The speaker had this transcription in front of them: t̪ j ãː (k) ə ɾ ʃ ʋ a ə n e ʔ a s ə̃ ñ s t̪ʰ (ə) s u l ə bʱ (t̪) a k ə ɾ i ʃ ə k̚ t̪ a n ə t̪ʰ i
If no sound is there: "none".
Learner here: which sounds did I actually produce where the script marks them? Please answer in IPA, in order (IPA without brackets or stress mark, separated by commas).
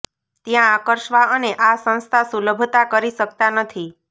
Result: k, a, t̪